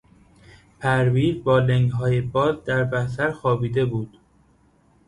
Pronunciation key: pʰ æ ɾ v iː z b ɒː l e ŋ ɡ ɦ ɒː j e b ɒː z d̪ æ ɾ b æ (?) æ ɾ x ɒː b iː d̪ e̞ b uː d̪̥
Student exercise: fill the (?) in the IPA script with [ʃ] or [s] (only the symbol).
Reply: s